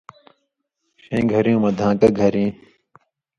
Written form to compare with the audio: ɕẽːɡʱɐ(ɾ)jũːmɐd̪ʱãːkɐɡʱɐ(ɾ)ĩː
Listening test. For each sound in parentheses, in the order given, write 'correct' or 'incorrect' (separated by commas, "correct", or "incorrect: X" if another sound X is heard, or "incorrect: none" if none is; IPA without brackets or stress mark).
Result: correct, correct